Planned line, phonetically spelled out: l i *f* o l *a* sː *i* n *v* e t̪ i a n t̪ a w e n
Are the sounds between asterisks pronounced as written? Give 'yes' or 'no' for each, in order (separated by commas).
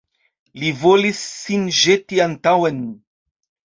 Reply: no, no, yes, no